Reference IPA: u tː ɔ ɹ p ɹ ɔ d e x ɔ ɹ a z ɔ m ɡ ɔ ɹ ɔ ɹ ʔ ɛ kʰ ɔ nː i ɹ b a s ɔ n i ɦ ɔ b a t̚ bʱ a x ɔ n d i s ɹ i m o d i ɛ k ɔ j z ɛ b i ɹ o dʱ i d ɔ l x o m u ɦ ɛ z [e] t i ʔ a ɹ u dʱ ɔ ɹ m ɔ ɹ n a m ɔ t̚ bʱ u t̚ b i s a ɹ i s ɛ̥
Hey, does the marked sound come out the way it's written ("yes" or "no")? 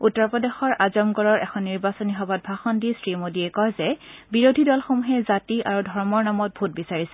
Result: no